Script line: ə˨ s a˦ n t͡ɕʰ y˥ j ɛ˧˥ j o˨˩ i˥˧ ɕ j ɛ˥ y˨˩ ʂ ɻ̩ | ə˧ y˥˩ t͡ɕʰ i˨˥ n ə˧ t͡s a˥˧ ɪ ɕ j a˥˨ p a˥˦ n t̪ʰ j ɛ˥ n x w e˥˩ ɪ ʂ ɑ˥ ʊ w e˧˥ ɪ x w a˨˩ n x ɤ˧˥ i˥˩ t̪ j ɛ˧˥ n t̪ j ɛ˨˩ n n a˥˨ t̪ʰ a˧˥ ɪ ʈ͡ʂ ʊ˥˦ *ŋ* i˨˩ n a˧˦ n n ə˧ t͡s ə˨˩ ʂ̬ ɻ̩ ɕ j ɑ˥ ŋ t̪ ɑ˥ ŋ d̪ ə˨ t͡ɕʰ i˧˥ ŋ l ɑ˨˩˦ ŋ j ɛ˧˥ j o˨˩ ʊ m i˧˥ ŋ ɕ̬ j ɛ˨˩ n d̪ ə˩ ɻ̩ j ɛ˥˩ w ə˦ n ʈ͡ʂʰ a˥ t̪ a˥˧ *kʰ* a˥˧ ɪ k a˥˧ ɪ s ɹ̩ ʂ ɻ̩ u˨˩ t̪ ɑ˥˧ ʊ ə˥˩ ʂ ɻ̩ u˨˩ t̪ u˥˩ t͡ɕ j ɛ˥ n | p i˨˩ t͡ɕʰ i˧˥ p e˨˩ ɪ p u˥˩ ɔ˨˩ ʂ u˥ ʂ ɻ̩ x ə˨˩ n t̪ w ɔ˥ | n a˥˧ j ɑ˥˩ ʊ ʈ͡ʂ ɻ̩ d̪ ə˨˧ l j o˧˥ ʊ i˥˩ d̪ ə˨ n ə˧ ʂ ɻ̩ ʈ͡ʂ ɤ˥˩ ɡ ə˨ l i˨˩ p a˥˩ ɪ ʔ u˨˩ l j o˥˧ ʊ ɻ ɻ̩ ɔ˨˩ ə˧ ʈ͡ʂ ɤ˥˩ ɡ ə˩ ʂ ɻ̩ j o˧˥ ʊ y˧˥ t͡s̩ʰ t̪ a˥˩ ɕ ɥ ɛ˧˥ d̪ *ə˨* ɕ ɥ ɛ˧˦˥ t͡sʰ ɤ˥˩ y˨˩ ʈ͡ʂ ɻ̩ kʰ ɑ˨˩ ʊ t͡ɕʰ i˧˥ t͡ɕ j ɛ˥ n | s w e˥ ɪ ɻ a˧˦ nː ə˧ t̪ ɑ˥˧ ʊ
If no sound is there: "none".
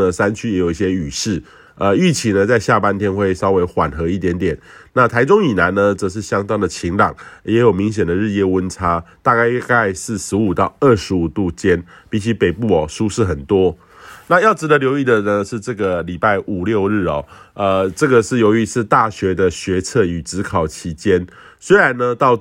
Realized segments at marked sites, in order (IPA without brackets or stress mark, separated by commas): ŋ, k, ə˨